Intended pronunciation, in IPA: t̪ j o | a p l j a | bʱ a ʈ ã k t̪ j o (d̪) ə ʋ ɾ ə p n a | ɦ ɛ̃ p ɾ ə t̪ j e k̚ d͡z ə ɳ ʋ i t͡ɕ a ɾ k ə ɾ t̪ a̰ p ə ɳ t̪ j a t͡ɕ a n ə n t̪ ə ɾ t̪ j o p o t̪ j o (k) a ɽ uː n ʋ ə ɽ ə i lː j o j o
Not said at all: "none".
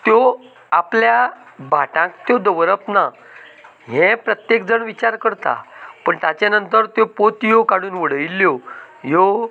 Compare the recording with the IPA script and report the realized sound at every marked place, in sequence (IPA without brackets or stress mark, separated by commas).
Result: d̪, k